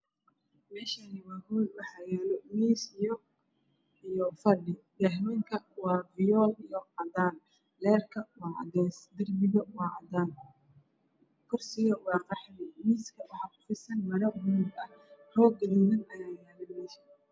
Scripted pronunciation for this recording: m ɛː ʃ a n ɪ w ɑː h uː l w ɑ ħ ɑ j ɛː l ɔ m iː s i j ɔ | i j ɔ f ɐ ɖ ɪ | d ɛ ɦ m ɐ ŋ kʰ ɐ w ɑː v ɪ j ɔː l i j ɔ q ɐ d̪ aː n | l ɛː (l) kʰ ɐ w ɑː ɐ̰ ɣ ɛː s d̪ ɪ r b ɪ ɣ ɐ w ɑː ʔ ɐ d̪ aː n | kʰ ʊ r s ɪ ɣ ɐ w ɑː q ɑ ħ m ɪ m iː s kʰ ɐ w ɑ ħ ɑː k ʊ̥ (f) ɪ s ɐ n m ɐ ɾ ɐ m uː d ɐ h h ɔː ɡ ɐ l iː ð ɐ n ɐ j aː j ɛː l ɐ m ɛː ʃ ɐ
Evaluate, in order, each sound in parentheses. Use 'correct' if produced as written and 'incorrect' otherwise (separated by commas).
incorrect, correct